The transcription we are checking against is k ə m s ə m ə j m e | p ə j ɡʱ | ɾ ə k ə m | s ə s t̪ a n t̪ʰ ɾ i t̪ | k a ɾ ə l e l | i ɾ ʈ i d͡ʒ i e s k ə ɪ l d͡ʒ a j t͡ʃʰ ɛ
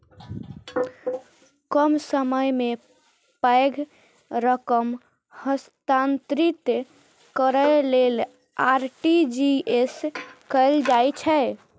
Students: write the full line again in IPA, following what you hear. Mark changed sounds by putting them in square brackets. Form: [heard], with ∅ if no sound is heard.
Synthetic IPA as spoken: k ə m s ə m ə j m e | p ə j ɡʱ | ɾ ə k ə m | [h] ə s t̪ a n [t̪] ɾ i t̪ | k [ə] ɾ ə l e l | [a] ɾ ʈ i d͡ʒ i e s k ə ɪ l d͡ʒ a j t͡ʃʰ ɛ